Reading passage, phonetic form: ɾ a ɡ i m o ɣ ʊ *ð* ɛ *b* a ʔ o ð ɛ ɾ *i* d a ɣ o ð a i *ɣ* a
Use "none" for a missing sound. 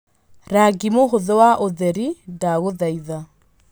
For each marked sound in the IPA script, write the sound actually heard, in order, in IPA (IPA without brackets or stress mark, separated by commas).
ð, w, i, ð